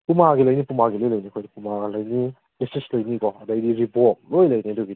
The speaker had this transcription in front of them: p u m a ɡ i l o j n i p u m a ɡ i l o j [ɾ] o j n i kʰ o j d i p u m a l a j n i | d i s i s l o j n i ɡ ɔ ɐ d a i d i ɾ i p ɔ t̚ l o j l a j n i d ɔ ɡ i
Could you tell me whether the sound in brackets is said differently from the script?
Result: yes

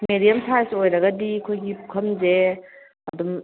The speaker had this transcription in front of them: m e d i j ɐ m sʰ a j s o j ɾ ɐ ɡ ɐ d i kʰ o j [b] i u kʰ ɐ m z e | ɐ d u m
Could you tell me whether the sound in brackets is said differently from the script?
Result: yes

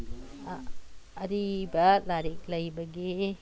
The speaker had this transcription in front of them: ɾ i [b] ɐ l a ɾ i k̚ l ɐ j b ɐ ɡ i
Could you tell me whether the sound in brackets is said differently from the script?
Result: no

